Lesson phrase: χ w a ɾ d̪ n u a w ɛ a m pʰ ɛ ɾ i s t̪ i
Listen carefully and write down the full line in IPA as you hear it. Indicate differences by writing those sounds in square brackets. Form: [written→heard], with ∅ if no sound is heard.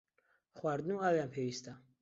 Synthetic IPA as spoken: χ w a ɾ d̪ n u a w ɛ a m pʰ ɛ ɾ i s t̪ [i→a]